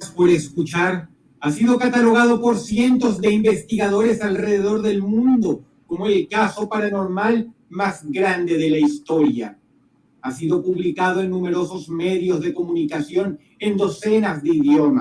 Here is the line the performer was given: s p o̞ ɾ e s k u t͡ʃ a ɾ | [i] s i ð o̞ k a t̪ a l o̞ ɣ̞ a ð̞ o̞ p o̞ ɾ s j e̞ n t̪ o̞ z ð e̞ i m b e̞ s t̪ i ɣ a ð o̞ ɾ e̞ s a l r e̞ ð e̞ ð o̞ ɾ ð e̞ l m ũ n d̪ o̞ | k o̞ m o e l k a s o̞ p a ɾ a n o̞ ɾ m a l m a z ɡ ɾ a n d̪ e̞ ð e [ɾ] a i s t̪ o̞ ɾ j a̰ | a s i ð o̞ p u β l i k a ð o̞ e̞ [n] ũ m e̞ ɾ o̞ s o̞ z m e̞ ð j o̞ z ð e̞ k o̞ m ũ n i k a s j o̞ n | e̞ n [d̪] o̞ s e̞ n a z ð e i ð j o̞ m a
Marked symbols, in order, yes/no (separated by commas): no, no, no, yes